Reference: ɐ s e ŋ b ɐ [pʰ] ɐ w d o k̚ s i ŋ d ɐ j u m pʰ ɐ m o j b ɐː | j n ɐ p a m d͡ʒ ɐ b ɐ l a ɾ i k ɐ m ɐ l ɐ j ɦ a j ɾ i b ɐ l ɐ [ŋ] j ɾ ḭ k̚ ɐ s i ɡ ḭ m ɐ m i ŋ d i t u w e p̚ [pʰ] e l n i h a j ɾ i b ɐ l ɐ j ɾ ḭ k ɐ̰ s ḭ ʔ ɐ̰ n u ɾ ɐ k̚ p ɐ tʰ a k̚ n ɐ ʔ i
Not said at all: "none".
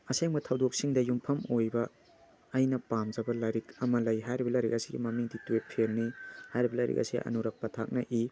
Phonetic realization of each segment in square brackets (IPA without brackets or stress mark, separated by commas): tʰ, none, pʰ